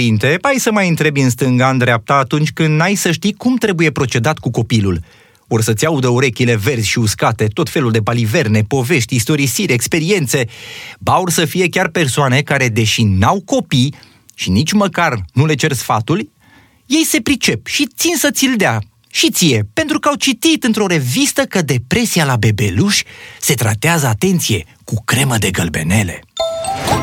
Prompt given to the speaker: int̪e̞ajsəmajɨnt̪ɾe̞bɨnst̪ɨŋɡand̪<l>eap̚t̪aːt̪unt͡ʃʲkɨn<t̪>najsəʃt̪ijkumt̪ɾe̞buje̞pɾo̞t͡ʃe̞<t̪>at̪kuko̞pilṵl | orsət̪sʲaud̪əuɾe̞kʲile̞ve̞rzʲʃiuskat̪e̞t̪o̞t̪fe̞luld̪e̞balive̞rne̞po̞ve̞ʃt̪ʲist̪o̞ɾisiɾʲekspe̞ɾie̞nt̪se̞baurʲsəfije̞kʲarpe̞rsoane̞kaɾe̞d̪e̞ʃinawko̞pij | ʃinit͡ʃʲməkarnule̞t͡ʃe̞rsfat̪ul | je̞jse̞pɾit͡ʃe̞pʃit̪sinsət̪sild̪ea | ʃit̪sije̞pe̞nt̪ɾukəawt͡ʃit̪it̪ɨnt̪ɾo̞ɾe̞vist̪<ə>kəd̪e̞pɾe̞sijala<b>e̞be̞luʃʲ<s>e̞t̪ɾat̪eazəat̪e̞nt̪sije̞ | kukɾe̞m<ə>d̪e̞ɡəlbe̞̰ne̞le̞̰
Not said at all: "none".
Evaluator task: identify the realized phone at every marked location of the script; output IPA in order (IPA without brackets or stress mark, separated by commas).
ɾ, d̪, d̪, ə, b, s, ə